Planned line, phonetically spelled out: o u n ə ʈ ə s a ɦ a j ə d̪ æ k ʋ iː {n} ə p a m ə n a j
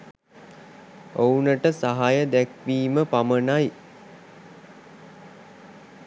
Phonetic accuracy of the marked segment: incorrect: m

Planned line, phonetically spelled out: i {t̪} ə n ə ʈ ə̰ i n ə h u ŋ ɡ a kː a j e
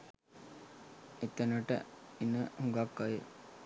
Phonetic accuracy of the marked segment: correct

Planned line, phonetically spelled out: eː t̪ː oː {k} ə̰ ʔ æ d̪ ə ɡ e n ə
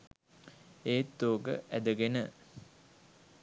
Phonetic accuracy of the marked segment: incorrect: ɡ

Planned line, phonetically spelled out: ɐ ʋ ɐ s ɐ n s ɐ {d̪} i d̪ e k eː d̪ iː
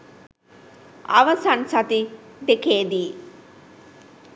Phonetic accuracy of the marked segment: incorrect: t̪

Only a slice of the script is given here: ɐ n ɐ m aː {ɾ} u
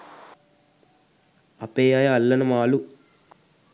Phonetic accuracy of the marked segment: incorrect: l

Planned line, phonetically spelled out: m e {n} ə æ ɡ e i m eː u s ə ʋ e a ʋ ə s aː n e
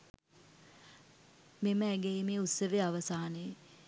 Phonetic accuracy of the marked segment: incorrect: m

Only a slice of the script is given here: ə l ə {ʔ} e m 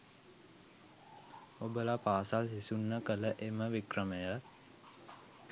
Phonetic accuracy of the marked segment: correct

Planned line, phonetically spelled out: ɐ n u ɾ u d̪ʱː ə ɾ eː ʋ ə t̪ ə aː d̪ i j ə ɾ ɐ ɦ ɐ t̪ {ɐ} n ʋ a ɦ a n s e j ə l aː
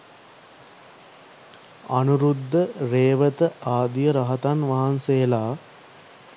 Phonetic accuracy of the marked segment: incorrect: a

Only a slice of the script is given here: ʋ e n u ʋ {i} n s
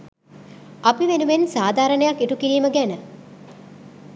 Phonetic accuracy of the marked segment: incorrect: e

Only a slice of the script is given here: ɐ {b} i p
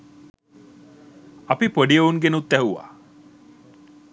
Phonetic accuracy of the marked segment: incorrect: p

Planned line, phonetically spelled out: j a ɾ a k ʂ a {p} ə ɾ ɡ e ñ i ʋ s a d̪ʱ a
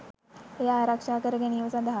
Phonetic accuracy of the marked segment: incorrect: k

